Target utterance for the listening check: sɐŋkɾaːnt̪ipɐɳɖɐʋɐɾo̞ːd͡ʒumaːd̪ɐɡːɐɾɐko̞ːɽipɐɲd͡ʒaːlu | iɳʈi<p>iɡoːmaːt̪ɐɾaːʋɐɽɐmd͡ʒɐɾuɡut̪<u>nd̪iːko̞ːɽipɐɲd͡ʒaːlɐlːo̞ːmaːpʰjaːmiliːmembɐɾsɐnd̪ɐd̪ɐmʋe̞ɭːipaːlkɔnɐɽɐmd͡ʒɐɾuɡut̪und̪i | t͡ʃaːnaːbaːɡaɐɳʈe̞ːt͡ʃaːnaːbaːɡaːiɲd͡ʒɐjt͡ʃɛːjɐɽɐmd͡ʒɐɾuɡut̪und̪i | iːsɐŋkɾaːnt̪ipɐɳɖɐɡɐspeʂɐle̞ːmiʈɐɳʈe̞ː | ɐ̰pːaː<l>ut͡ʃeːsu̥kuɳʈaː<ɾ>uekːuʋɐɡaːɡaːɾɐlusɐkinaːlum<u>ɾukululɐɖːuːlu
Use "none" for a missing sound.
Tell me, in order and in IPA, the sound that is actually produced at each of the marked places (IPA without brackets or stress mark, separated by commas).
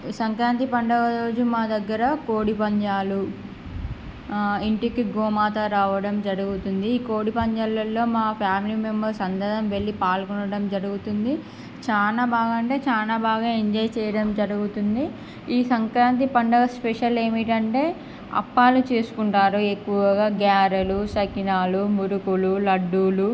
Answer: k, u, l, ɾ, u